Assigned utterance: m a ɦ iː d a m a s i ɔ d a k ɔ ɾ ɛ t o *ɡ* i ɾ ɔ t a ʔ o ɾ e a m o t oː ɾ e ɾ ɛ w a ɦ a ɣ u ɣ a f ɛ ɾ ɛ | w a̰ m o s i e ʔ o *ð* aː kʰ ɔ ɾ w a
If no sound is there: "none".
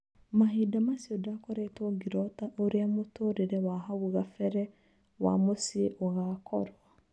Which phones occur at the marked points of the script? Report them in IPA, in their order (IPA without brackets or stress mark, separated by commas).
ɡ, ɣ